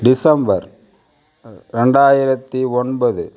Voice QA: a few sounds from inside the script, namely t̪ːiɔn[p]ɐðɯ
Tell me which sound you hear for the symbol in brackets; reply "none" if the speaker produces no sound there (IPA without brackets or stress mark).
b